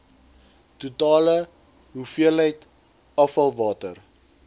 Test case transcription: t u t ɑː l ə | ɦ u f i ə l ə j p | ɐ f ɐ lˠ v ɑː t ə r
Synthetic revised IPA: t u t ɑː l ə | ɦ u f i ə l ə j t | ɐ f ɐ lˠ v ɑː t ə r